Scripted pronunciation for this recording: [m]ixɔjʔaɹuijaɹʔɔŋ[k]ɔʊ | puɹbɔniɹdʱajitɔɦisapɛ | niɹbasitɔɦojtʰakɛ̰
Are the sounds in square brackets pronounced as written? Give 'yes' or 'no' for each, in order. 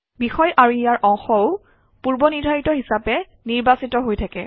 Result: no, no

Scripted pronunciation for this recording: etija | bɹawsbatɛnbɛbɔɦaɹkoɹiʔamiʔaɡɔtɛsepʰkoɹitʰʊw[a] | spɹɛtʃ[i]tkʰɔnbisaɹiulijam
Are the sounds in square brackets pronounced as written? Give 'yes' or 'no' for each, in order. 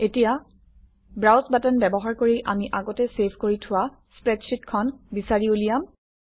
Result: yes, yes

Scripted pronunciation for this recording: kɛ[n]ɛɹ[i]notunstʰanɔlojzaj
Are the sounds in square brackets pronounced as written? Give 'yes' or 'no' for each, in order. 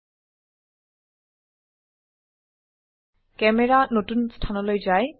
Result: no, no

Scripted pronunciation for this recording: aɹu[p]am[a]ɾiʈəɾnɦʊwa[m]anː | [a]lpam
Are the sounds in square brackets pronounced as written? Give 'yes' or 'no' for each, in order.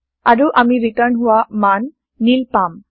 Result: no, no, yes, no

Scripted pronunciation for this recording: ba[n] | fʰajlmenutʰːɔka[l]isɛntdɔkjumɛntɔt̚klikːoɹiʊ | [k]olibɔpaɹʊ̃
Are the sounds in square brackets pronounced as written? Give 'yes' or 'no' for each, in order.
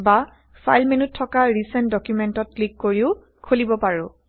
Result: no, no, no

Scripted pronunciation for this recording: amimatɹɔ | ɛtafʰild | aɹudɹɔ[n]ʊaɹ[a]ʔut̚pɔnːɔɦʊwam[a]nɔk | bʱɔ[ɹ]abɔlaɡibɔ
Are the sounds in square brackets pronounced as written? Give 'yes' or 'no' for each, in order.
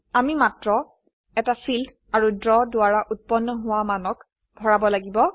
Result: no, yes, yes, yes

